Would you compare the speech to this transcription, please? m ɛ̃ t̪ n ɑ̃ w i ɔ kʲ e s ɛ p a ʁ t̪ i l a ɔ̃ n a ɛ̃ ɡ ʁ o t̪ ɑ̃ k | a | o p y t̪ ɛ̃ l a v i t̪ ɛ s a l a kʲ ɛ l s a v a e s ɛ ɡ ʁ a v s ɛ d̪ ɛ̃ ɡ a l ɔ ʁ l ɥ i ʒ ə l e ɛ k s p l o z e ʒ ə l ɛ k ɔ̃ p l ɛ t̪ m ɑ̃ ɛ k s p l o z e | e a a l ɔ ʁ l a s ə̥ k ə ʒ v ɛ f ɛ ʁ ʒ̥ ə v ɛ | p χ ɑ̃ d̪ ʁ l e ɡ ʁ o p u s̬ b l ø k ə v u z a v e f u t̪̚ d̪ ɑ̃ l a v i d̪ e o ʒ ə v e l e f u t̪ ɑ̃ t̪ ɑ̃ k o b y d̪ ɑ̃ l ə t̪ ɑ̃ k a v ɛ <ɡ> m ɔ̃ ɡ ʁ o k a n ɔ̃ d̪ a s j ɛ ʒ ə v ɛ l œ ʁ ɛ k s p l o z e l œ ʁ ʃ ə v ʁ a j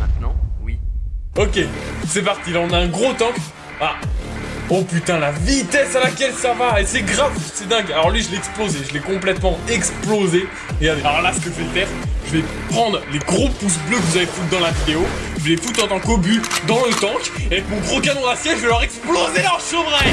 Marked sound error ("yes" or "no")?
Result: yes